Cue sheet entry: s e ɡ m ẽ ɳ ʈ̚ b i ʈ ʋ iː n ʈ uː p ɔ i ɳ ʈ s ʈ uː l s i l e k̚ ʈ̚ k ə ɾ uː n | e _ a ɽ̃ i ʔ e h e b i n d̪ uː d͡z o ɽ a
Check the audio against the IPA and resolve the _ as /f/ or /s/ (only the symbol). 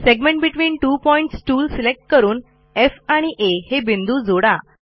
f